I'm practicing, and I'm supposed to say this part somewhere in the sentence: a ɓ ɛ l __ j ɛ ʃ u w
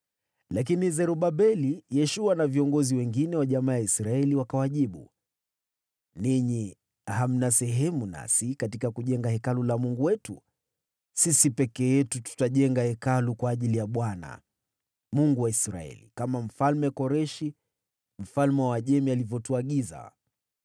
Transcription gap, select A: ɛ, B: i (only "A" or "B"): B